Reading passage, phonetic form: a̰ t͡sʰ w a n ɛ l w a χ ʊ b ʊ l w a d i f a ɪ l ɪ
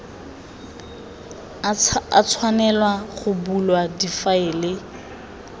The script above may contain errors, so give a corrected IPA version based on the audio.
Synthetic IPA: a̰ t͡sʰ w a n ɛ l w a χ ʊ b u l w a d i f a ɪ l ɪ